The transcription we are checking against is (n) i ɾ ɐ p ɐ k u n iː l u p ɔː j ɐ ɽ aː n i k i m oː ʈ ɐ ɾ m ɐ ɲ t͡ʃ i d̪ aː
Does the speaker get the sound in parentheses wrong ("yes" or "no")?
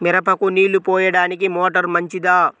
yes